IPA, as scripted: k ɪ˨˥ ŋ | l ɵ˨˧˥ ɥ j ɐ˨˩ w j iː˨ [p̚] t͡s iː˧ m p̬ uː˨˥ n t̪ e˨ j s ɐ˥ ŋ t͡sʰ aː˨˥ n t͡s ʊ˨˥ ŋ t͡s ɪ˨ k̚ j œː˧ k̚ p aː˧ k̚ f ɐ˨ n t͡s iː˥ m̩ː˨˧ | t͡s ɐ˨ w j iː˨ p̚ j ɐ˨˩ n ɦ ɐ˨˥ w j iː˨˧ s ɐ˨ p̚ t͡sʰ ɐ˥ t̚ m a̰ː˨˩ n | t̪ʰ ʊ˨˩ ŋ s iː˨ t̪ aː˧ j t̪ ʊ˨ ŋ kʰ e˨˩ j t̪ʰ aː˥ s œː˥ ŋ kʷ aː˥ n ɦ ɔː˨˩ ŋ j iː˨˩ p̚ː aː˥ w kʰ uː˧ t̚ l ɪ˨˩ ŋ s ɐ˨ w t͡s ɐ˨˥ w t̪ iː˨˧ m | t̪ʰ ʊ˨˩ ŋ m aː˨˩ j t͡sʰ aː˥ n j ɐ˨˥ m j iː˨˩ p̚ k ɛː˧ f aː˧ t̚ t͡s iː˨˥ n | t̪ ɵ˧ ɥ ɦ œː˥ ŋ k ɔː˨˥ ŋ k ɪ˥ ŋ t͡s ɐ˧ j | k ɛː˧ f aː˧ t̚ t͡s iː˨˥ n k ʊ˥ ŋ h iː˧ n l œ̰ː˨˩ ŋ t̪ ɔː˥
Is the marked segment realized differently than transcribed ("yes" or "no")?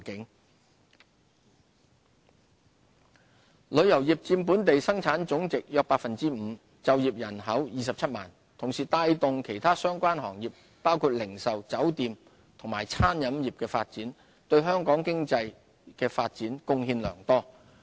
no